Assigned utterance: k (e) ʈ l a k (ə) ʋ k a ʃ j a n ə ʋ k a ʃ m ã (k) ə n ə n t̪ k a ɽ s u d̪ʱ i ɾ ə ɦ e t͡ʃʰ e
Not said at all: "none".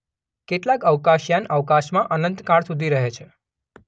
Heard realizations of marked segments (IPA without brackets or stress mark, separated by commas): e, ə, ʔ